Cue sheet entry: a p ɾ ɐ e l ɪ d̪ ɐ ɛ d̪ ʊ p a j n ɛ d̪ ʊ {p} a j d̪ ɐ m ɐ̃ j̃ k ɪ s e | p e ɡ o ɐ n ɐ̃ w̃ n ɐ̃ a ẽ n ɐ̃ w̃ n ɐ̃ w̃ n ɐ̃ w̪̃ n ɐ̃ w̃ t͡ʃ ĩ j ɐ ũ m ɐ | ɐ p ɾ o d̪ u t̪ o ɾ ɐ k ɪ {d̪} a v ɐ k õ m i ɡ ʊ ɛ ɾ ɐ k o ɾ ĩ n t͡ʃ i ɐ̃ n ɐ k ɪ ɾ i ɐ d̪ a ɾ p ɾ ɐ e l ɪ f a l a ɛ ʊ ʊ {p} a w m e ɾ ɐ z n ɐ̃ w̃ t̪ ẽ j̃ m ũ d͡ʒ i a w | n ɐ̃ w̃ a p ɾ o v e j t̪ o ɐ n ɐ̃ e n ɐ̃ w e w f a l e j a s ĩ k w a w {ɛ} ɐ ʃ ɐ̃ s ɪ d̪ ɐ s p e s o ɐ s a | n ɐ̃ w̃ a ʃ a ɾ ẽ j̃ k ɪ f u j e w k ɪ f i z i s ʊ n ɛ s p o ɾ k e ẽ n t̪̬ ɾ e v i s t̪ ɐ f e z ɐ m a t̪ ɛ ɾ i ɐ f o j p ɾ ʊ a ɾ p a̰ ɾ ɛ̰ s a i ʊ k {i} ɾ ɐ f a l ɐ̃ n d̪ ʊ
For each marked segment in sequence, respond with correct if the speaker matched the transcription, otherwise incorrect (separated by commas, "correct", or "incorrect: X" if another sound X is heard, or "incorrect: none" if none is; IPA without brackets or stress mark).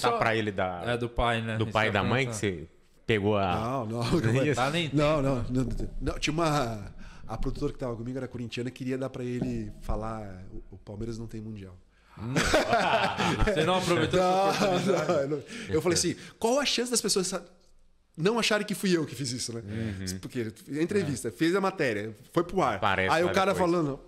correct, incorrect: t̪, correct, correct, incorrect: a